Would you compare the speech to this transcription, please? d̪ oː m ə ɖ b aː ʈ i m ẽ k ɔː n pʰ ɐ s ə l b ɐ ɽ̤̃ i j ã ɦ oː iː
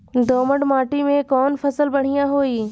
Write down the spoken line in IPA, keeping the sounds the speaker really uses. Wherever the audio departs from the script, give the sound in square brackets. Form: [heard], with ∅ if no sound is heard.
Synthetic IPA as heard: d̪ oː m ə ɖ [m] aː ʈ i m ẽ k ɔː n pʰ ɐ s ə l b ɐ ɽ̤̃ i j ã ɦ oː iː